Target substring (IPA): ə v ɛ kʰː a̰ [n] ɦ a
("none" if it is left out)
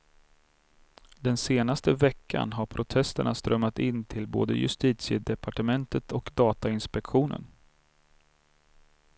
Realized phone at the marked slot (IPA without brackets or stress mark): n